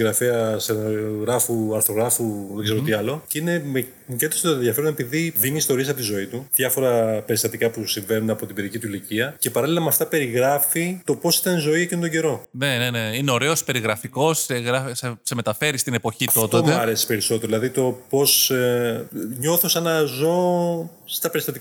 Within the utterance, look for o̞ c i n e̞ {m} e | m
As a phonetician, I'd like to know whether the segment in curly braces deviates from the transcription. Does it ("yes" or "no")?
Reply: no